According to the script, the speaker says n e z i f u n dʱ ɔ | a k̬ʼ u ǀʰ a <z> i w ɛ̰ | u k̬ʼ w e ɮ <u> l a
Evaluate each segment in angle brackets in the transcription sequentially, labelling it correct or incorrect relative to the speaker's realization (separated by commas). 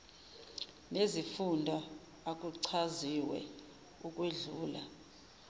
correct, incorrect